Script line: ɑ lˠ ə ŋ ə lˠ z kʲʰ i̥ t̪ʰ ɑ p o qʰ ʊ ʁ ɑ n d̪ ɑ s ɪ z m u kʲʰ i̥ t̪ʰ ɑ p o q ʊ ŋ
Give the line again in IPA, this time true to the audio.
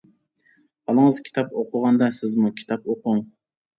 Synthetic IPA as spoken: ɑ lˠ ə ŋ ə z kʲʰ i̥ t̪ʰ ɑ p o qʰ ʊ ʁ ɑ n d̪ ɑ s ɪ z m u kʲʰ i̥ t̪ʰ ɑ p o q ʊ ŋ

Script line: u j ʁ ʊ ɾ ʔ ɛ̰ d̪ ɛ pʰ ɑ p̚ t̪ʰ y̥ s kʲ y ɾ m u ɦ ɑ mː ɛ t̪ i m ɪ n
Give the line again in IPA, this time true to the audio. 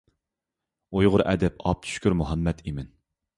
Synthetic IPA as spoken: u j ʁ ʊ ɾ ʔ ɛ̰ d̪ ɛ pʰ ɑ p̚ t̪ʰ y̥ ʃ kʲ y ɾ m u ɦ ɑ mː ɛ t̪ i m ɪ n

